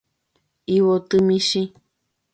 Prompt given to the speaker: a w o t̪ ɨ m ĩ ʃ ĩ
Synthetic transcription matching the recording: i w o t̪ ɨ m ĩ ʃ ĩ